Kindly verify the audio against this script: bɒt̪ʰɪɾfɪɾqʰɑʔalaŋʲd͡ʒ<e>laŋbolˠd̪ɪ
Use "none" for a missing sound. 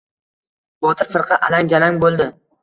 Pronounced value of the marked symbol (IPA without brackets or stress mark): a